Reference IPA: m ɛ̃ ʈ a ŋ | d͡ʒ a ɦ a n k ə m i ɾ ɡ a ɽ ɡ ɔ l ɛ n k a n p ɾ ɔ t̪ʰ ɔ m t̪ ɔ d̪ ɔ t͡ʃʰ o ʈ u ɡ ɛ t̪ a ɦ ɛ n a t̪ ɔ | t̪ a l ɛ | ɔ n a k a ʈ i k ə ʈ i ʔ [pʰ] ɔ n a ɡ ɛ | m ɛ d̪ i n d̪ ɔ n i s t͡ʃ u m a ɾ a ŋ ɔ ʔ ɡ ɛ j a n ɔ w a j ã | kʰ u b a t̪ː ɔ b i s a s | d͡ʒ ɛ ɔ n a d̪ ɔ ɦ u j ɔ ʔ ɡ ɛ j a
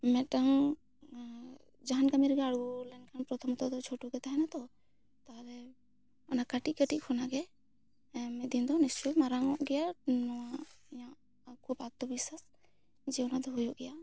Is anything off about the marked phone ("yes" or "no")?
yes